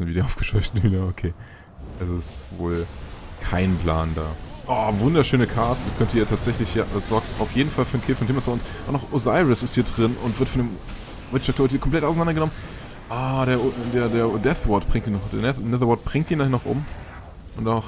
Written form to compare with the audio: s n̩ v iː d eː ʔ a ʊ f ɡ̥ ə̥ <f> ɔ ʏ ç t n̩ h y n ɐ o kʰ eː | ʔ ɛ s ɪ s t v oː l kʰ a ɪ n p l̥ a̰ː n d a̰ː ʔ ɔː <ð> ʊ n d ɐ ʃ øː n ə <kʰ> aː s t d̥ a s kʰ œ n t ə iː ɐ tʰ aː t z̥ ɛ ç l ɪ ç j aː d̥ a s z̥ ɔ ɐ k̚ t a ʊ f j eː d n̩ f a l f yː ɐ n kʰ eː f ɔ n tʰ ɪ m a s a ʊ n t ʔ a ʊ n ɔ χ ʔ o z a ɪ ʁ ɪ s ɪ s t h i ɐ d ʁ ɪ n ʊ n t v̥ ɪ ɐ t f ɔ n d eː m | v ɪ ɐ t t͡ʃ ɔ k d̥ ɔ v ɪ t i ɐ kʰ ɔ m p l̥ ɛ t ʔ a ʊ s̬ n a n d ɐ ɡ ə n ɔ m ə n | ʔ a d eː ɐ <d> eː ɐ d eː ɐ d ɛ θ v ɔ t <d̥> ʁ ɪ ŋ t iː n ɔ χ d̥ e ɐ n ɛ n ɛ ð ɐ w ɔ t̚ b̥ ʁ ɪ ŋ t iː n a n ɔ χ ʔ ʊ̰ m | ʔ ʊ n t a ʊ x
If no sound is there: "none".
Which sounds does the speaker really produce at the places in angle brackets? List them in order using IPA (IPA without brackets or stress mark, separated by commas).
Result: ʃ, v, kʰ, d, b̥